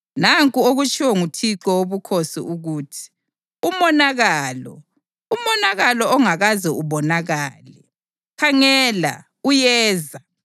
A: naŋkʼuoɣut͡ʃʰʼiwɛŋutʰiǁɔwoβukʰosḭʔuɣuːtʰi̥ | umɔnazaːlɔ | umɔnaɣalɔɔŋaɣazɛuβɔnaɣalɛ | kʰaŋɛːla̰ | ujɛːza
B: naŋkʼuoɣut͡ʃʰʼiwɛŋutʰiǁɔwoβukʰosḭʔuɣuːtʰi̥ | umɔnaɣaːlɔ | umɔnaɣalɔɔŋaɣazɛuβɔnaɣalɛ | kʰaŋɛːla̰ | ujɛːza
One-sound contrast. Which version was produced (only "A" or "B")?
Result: B